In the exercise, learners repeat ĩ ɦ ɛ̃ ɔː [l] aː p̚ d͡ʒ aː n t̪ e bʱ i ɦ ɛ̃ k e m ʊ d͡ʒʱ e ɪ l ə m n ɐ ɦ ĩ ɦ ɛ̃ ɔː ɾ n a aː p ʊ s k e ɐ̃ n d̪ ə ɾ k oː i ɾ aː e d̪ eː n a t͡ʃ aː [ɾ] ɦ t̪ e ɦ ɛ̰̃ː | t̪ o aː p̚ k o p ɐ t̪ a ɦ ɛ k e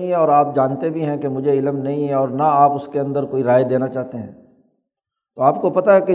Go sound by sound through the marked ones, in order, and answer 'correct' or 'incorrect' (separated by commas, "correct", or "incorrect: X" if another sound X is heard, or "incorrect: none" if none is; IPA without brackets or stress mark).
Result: incorrect: ɾ, incorrect: none